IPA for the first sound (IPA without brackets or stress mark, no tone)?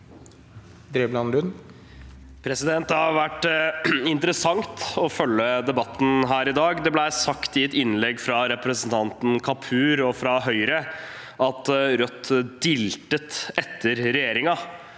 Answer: d̪